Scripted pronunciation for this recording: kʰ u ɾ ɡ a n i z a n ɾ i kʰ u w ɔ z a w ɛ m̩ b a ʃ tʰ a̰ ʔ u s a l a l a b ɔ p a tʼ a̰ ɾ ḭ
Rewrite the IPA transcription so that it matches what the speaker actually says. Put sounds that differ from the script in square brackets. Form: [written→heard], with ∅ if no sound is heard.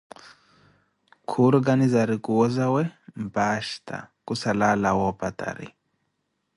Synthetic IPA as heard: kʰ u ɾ ɡ a n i z a [n→∅] ɾ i [kʰ→k] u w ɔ z a w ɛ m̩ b a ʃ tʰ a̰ [ʔ→k] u s a l a l a [b→w] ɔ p a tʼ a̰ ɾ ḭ